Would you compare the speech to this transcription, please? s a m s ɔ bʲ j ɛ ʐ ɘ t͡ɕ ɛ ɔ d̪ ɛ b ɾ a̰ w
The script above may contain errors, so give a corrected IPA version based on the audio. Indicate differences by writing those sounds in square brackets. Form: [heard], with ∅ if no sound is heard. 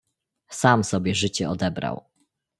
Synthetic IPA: s a m s ɔ bʲ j ɛ ʐ ɘ t͡ɕ ɛ ɔ d̪ ɛ b ɾ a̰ w